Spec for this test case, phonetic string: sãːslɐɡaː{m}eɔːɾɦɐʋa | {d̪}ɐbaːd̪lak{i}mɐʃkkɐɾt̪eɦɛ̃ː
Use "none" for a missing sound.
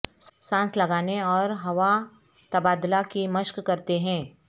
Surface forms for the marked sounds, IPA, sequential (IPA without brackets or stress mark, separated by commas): n, t̪, i